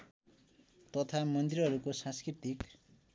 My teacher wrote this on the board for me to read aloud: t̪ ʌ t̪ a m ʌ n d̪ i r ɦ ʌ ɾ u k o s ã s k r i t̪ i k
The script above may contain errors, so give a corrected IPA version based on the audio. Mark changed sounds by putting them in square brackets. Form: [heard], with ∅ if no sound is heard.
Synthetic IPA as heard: t̪ ʌ [t̪ʰ] a m ʌ n d̪ i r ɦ ʌ ɾ u k o s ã s k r i t̪ i k